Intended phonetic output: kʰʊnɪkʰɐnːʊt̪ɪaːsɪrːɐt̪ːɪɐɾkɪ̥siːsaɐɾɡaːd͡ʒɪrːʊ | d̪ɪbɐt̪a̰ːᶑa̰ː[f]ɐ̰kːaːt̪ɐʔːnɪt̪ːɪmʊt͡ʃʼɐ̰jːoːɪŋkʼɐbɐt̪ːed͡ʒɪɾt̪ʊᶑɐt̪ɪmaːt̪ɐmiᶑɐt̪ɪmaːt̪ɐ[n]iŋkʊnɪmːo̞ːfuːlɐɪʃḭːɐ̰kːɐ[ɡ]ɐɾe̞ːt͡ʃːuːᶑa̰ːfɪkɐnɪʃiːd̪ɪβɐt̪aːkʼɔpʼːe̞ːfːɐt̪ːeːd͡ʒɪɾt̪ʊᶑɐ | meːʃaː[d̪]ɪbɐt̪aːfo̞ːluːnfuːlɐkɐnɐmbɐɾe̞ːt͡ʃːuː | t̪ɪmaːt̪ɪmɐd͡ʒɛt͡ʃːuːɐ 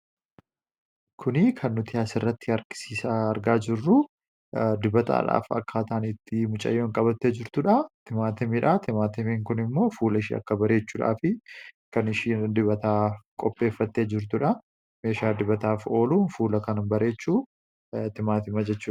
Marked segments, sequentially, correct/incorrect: correct, incorrect, incorrect, correct

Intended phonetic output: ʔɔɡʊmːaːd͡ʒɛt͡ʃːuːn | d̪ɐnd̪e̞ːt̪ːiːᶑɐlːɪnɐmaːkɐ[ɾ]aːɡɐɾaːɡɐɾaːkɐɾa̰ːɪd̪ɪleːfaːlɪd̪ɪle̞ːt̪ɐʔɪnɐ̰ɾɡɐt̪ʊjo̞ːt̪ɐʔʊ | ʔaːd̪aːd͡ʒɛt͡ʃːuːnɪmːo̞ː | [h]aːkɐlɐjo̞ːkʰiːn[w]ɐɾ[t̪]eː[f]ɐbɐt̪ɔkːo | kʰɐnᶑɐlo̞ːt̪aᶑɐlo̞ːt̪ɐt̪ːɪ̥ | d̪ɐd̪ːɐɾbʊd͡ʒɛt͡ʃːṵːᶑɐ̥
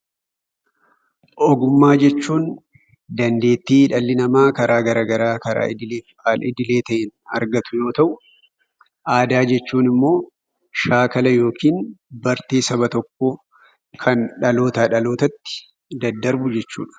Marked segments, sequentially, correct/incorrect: correct, incorrect, incorrect, correct, incorrect

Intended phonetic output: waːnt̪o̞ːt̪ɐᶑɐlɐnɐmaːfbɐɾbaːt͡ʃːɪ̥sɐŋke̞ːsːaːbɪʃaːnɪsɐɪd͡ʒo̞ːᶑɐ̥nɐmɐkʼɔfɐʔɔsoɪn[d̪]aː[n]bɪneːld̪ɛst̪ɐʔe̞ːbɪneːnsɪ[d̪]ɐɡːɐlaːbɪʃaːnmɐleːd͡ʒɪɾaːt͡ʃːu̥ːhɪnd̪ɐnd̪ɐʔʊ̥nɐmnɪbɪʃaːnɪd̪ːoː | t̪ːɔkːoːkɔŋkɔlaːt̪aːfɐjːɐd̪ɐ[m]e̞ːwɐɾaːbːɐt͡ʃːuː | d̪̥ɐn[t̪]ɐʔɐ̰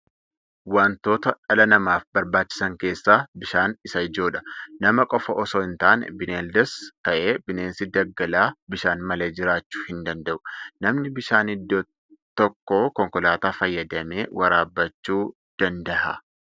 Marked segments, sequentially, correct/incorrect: incorrect, correct, correct, correct, incorrect

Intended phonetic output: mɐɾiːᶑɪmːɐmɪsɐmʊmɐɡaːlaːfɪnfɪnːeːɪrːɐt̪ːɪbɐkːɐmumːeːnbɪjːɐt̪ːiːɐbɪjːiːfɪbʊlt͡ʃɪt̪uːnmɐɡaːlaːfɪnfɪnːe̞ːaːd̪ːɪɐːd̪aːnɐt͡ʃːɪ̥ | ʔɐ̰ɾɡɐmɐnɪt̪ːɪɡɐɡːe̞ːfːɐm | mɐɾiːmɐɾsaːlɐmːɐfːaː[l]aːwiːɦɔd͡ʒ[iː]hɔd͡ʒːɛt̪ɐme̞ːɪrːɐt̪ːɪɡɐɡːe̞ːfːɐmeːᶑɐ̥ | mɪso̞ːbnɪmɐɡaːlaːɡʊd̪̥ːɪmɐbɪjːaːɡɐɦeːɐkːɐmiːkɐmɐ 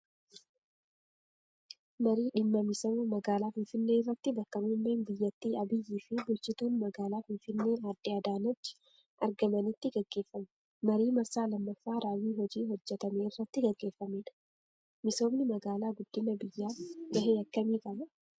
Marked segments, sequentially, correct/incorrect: incorrect, correct

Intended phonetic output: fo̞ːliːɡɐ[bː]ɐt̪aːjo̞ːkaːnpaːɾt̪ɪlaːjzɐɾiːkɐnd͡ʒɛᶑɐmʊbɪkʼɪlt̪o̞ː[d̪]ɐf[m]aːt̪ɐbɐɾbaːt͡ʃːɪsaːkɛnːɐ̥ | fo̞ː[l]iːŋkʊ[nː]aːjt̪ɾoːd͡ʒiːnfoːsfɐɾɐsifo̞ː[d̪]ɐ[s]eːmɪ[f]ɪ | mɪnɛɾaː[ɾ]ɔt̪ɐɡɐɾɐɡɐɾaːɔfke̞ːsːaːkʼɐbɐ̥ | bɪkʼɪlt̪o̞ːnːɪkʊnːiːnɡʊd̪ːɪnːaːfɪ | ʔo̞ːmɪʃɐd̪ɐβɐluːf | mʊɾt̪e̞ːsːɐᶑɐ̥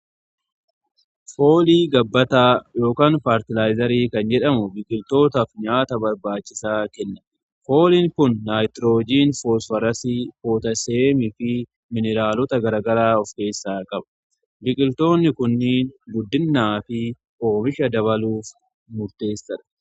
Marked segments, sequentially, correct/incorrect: correct, incorrect, incorrect, correct, correct, incorrect, correct, correct, incorrect

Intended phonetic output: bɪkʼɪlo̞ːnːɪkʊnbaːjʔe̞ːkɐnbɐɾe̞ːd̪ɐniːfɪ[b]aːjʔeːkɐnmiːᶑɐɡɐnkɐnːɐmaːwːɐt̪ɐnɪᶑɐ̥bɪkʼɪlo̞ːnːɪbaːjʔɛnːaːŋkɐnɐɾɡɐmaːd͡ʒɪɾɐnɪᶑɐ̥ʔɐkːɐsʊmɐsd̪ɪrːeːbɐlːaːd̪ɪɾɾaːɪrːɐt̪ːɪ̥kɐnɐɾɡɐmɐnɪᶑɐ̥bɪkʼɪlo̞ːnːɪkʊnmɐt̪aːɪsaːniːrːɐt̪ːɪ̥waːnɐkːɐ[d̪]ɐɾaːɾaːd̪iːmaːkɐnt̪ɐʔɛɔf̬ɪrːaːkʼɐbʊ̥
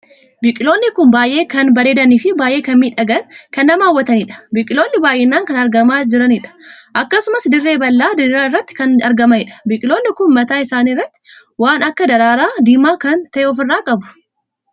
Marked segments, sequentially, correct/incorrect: correct, correct

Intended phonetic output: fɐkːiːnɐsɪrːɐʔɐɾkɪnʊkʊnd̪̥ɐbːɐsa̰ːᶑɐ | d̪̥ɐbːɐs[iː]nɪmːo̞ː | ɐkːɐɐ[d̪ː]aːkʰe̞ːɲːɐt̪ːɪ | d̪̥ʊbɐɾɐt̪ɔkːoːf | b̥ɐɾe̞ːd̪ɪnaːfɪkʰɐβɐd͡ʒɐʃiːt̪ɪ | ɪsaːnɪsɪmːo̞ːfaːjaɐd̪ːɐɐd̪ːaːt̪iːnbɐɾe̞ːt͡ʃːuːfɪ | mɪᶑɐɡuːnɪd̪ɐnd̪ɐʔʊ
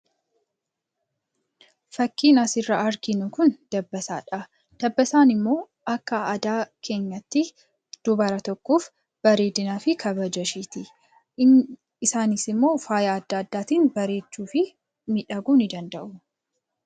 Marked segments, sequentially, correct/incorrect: incorrect, incorrect

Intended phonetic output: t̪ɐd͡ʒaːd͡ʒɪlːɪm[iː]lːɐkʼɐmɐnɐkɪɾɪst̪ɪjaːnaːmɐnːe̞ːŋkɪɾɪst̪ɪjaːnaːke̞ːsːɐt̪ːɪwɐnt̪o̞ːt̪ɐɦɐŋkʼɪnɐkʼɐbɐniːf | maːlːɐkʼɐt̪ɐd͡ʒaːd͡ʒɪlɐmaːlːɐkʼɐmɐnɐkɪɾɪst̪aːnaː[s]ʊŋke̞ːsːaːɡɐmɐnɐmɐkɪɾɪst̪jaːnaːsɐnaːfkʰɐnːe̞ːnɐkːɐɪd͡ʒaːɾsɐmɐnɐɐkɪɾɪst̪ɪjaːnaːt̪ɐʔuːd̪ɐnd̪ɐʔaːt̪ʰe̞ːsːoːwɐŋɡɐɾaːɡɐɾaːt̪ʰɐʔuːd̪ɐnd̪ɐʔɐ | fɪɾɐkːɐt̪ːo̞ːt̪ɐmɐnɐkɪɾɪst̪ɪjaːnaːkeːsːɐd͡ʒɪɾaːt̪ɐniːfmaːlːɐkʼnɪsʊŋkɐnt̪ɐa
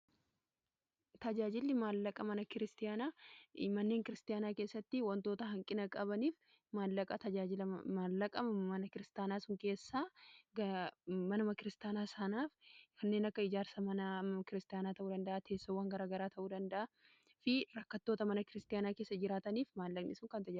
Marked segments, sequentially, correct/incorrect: incorrect, correct

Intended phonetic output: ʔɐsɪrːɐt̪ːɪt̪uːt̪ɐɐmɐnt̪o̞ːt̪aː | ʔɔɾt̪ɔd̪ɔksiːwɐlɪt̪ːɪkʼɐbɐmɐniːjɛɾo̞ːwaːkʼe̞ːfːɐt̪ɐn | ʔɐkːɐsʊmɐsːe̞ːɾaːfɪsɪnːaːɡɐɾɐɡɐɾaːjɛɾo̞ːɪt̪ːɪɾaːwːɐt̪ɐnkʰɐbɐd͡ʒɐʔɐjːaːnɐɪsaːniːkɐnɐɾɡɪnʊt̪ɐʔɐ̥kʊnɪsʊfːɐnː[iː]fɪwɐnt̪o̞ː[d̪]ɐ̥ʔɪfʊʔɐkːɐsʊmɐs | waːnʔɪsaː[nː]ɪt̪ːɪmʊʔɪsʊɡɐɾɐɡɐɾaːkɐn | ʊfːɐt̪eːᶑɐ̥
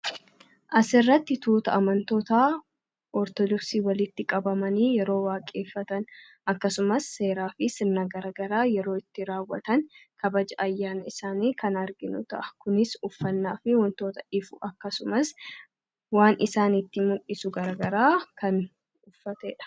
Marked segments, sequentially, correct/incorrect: incorrect, incorrect, incorrect

